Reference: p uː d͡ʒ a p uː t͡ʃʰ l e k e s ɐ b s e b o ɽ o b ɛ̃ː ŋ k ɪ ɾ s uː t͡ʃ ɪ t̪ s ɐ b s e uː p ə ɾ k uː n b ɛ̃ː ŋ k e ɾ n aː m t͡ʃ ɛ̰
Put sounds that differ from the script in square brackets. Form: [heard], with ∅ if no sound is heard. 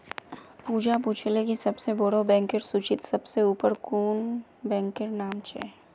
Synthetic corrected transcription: p uː d͡ʒ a p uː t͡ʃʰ l e k [i] s ɐ b s e b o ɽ o b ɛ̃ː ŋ k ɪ ɾ s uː t͡ʃ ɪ t̪ s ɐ b s e uː p ə ɾ k uː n b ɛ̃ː ŋ k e ɾ n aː m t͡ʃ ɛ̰